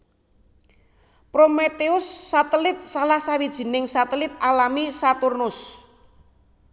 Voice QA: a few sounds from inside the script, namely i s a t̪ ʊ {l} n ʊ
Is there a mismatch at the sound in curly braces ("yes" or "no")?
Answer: yes